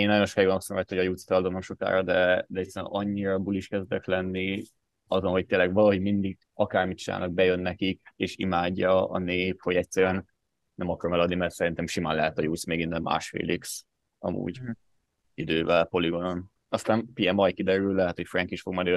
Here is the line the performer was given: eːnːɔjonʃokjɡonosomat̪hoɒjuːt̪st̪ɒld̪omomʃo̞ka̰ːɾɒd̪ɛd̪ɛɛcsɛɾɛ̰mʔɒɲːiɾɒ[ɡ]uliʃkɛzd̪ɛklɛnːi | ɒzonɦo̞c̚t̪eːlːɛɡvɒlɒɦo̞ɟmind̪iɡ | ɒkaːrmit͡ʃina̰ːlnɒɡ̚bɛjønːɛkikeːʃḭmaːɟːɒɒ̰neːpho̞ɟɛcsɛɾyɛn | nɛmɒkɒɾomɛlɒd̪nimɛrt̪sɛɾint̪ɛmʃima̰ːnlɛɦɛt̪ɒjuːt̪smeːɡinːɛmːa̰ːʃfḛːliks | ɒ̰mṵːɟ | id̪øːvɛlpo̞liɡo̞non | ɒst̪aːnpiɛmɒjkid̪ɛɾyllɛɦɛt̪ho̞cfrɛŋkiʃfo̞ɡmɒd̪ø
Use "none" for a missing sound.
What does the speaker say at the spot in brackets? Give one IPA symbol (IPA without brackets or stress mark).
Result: b